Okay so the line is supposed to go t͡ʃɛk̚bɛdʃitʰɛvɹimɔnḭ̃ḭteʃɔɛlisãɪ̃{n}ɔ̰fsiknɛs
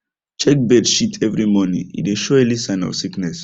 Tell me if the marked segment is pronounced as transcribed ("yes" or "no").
yes